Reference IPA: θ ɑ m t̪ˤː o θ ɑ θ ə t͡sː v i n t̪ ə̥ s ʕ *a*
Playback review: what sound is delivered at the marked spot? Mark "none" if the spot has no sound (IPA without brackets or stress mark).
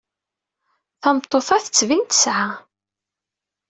a